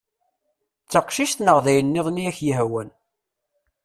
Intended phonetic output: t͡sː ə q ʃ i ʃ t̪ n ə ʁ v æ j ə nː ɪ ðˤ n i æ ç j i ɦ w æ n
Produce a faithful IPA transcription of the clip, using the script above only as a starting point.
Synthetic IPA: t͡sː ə q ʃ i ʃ t̪ n ə ʁ ð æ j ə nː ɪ ðˤ n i æ ç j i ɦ w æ n